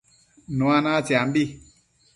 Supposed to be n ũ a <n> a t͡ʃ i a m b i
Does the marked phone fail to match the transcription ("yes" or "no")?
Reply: no